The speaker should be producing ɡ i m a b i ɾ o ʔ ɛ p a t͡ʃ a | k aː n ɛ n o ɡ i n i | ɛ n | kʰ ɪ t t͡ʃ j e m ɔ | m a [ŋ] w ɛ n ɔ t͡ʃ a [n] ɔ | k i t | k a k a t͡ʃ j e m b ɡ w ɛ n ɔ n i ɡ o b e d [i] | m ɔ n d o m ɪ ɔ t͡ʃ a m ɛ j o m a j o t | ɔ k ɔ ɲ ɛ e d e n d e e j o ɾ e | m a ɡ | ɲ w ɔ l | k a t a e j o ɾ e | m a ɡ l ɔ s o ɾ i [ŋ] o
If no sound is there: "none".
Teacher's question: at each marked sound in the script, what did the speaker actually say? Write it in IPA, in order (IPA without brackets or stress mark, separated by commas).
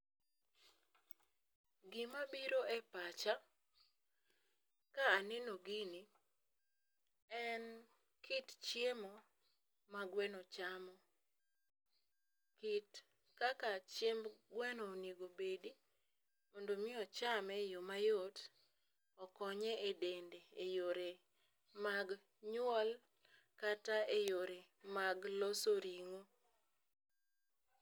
ɡ, m, i, ŋ